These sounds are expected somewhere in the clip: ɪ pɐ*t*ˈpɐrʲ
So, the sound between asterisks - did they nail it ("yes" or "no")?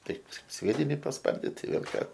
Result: no